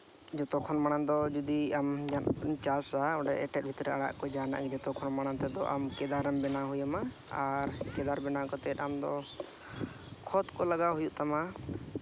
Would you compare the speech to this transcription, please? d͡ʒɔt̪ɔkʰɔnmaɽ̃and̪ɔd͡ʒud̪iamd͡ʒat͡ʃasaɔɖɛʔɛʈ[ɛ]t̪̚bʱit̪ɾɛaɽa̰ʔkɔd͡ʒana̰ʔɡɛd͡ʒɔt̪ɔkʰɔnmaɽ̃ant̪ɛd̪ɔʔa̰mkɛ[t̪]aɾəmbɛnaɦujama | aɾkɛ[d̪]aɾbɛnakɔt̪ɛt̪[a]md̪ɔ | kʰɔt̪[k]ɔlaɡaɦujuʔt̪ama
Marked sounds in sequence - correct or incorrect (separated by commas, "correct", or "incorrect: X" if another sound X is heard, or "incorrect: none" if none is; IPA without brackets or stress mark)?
correct, incorrect: d̪, correct, correct, correct